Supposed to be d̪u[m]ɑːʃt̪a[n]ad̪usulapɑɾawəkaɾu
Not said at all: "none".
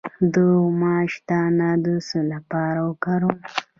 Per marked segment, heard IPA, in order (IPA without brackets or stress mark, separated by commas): m, n